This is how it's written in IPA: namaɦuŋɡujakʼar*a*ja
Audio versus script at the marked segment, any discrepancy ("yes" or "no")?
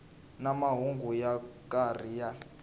yes